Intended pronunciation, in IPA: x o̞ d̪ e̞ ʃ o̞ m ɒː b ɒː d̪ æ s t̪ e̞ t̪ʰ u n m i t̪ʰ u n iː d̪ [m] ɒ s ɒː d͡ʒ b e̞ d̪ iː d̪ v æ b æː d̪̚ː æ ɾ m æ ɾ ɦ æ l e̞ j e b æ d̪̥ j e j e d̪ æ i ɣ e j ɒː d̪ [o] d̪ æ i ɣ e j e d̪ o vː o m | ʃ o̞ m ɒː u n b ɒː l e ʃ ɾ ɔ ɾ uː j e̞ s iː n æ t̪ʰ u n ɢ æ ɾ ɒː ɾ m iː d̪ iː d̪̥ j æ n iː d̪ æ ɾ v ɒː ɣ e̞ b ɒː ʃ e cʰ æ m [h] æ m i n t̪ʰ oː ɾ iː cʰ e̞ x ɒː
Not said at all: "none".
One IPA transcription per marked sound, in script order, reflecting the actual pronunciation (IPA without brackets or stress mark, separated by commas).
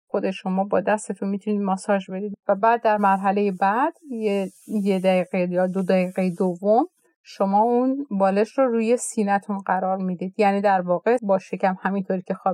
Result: m, o, h